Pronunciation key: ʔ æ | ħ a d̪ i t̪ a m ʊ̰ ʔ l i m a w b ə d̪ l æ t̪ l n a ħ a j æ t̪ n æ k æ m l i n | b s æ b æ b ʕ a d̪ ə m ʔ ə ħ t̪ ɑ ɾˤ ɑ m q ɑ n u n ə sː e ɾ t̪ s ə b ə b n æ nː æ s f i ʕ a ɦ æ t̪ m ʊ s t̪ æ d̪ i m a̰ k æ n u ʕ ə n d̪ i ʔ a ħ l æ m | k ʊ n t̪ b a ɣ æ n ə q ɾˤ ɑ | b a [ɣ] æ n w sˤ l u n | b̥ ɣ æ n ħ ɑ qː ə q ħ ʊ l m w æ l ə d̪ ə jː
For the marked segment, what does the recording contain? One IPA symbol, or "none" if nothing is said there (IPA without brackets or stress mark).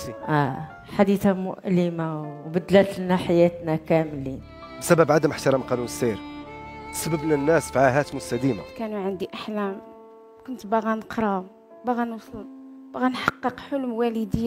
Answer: ɣ